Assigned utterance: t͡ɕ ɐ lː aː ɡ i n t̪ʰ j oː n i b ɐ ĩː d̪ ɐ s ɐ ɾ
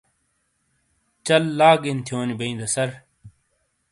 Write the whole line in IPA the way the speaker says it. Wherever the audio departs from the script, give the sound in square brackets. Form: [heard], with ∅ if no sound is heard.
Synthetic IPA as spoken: t͡ɕ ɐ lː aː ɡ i n t̪ʰ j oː n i b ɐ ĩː d̪ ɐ s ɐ ɾ